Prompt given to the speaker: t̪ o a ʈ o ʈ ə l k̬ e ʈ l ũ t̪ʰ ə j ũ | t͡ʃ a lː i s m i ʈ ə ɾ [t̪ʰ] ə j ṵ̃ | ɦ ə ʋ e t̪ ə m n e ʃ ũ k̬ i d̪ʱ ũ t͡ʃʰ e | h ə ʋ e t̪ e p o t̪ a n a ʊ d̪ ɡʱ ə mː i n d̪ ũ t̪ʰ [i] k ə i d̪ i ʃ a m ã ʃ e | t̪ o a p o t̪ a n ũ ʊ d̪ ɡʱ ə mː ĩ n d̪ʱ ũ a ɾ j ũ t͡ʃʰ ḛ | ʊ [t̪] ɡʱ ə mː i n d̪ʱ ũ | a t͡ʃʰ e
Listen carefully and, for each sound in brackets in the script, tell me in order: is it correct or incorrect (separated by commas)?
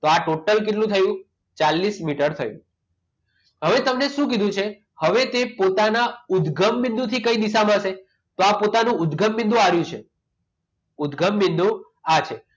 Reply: correct, correct, incorrect